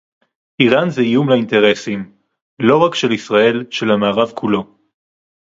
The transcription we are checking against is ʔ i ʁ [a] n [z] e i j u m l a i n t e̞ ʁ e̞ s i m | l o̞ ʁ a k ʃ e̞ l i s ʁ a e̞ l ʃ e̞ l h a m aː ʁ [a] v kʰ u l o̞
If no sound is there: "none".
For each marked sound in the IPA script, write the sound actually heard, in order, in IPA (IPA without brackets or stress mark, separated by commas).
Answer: a, z, a